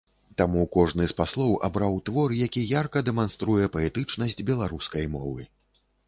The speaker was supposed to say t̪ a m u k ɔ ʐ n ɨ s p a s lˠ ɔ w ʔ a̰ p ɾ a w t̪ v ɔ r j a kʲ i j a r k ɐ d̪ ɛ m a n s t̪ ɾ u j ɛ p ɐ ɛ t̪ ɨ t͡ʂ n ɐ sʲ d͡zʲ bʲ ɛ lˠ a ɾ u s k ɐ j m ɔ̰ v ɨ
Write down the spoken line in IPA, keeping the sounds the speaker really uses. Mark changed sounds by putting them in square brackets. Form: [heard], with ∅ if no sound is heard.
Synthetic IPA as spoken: t̪ a m u k ɔ ʐ n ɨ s p a s lˠ ɔ w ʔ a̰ [b] ɾ a w t̪ v ɔ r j a kʲ i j a r k ɐ d̪ ɛ m a n s t̪ ɾ u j ɛ p ɐ ɛ t̪ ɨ t͡ʂ n ɐ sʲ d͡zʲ bʲ ɛ lˠ a ɾ u s k ɐ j m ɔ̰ v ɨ